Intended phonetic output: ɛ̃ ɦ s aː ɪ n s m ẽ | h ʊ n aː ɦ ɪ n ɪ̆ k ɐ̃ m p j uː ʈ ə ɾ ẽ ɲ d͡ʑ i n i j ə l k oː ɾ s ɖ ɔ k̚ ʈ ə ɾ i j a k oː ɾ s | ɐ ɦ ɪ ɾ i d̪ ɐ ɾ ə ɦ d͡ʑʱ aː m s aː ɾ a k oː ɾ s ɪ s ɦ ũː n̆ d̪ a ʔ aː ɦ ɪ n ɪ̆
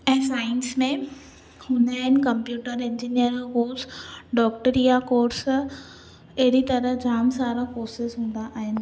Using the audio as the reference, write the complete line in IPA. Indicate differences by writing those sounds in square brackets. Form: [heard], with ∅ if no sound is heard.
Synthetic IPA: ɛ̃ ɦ s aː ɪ n s m ẽ | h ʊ n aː ɦ ɪ n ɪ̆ k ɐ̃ m p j uː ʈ ə ɾ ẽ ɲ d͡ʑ i n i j ə [ɾ] k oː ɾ s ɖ [ɔː] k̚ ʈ ə ɾ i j a k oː ɾ s | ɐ ɦ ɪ ɾ i [t̪] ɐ ɾ ə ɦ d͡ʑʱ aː m s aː ɾ a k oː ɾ s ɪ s ɦ ũː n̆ d̪ a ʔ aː ɦ ɪ n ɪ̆